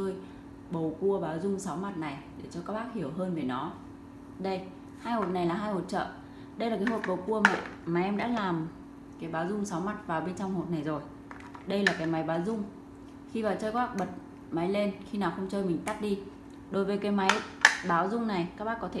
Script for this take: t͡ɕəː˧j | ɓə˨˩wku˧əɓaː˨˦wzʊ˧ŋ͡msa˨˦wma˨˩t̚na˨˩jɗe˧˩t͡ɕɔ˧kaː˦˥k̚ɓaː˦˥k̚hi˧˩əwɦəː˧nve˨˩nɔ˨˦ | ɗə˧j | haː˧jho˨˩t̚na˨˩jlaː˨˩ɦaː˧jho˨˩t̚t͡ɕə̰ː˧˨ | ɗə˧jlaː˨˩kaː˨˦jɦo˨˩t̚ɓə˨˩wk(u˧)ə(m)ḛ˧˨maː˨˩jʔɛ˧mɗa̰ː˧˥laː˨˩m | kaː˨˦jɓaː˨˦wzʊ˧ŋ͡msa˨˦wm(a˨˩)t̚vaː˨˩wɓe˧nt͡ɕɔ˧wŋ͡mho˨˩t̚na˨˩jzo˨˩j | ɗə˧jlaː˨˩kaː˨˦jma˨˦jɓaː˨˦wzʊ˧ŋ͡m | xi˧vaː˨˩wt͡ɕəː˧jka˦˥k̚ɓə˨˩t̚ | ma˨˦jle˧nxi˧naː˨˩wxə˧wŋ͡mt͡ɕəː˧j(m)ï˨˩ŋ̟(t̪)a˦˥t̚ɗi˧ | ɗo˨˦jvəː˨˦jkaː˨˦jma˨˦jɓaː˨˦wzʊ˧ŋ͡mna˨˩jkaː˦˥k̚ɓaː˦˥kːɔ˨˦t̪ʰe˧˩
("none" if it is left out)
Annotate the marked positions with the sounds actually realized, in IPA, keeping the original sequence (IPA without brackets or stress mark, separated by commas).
u˧, m, a˨˩, m, t̪